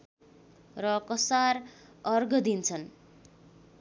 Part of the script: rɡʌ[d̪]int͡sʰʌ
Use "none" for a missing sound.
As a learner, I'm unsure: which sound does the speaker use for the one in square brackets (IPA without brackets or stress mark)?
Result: d̪